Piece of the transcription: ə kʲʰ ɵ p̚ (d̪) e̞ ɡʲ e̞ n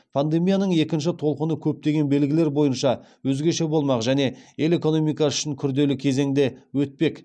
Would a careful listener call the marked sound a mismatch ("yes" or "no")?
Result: yes